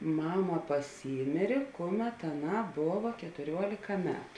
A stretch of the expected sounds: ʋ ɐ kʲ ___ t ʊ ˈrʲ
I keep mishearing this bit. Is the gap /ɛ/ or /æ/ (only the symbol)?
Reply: ɛ